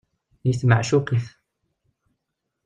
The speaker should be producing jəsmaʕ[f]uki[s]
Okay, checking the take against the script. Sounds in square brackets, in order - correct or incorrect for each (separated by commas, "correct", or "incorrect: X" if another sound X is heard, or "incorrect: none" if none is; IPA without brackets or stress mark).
incorrect: ʃ, incorrect: θ